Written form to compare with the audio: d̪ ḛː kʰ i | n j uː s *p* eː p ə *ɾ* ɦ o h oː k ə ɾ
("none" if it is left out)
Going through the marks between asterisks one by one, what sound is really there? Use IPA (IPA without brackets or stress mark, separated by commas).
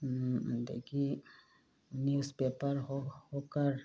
p, ɾ